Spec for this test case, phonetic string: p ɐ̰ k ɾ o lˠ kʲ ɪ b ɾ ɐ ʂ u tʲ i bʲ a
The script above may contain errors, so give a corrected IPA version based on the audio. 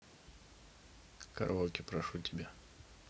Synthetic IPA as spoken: k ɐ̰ ɾ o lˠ kʲ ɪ p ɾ ɐ ʂ u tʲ ɪ bʲ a